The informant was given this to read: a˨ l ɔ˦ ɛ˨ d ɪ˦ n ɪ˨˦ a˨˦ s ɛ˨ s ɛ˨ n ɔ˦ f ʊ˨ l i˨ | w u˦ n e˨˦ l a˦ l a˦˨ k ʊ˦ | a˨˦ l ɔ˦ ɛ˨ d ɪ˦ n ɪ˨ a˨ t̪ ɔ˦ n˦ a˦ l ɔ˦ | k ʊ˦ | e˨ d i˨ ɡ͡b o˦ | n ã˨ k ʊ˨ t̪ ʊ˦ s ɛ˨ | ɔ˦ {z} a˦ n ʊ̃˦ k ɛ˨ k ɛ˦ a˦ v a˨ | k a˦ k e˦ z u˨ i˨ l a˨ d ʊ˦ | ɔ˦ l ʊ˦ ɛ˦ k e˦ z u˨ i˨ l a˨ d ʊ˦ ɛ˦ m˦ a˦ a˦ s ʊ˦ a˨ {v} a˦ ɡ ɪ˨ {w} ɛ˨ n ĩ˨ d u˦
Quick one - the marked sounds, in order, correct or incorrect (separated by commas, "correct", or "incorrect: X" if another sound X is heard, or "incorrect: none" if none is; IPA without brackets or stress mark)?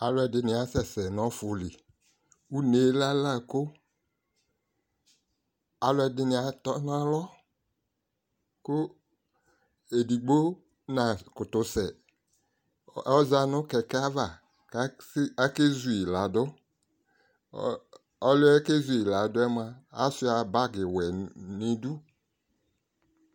correct, incorrect: b, correct